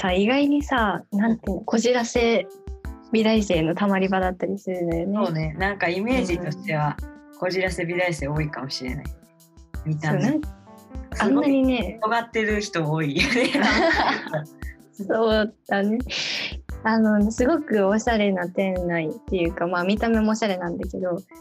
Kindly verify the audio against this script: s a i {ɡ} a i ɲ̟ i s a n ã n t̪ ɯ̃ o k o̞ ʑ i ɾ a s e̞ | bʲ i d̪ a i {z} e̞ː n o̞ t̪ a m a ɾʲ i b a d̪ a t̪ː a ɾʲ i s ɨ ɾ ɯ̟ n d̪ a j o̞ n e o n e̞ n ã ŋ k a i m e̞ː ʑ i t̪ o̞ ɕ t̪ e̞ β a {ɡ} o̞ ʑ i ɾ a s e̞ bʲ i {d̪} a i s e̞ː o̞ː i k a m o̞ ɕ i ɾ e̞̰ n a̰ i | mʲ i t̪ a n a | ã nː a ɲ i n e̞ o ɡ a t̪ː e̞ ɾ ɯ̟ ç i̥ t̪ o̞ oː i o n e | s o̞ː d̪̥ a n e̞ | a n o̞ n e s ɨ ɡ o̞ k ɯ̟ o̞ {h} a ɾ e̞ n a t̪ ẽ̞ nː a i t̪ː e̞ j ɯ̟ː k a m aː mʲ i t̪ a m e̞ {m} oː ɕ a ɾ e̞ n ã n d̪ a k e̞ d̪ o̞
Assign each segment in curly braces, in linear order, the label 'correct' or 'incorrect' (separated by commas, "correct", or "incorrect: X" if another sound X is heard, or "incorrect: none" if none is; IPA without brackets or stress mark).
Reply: correct, incorrect: s, incorrect: k, correct, incorrect: ɕ, correct